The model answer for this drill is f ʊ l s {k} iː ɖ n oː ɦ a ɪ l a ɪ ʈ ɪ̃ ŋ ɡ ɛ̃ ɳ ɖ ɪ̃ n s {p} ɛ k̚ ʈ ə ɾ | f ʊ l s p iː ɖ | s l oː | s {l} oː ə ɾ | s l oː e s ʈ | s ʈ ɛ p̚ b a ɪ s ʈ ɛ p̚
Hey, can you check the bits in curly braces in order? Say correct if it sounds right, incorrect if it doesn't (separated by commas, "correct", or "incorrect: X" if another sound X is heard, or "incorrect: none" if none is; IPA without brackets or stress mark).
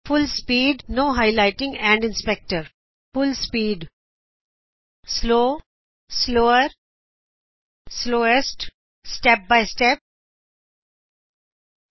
incorrect: p, correct, correct